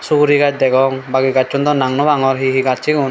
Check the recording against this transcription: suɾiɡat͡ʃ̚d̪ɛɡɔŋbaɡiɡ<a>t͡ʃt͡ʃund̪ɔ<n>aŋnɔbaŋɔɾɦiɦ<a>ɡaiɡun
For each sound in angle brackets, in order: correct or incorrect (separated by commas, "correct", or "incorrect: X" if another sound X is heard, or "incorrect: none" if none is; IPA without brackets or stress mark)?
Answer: correct, correct, incorrect: i